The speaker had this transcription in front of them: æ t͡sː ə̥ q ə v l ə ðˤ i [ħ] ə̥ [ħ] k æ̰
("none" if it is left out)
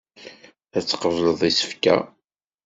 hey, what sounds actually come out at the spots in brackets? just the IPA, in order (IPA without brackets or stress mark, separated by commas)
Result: s, f